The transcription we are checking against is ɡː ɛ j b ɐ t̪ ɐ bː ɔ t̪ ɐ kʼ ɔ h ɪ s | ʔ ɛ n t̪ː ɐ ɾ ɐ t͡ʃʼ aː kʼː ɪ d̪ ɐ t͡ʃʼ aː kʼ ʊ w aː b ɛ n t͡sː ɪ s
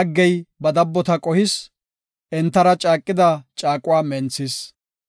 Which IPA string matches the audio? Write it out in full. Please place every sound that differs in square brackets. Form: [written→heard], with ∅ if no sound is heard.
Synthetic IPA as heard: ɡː ɛ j b ɐ [t̪→d̪] ɐ bː ɔ t̪ ɐ kʼ ɔ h ɪ s | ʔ ɛ n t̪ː ɐ ɾ ɐ t͡ʃʼ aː kʼː ɪ d̪ ɐ t͡ʃʼ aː kʼ ʊ w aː [b→m] ɛ n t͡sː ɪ s